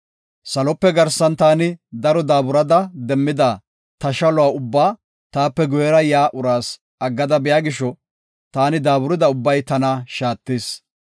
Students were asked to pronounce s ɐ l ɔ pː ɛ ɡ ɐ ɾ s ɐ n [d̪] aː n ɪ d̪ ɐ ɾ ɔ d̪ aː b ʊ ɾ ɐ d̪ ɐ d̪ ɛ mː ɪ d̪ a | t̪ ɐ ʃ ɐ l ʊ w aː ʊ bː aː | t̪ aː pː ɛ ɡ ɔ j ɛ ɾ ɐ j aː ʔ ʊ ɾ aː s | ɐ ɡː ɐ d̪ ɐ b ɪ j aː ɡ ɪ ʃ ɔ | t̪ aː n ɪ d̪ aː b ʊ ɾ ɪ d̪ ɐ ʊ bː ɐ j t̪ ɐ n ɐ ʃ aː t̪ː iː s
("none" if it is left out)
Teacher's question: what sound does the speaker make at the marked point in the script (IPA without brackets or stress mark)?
t̪